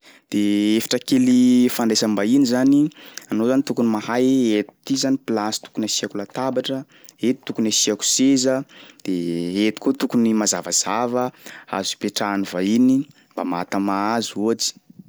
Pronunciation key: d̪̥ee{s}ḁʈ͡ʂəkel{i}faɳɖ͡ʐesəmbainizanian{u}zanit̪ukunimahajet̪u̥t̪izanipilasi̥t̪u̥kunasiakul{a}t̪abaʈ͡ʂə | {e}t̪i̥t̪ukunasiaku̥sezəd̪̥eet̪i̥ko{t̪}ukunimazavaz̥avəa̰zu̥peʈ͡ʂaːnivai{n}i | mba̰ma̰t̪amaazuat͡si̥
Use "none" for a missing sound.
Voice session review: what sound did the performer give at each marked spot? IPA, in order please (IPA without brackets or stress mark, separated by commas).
f, i, o, a, e, t̪, n